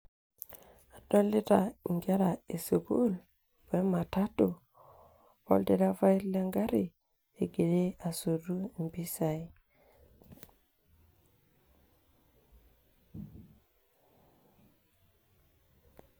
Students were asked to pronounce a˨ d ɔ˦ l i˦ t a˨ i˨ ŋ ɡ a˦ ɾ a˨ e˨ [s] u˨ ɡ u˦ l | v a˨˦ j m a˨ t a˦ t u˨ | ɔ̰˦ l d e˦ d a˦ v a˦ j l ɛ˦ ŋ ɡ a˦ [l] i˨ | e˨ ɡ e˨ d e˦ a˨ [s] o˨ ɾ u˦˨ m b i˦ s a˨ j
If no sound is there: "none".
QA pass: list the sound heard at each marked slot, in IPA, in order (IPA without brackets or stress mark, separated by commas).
s, ɾ, s